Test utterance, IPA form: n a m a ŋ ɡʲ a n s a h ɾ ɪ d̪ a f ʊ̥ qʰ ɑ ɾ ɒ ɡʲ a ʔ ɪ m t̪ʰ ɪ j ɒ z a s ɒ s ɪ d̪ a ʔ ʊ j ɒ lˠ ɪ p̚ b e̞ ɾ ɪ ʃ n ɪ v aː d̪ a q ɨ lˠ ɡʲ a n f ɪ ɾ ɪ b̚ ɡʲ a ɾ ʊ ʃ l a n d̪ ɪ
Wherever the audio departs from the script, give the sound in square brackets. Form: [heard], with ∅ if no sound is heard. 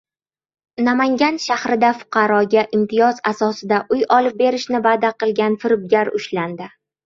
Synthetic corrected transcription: n a m a ŋ ɡʲ a n [ʃ] a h ɾ ɪ d̪ a f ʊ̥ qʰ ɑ ɾ ɒ ɡʲ a ʔ ɪ m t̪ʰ ɪ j ɒ z a s ɒ s ɪ d̪ a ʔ ʊ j ɒ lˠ ɪ p̚ b e̞ ɾ ɪ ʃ n ɪ v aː d̪ a q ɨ lˠ ɡʲ a n f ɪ ɾ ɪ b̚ ɡʲ a ɾ ʊ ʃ l a n d̪ ɪ